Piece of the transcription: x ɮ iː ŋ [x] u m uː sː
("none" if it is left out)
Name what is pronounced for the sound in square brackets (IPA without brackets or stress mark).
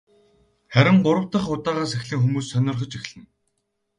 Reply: x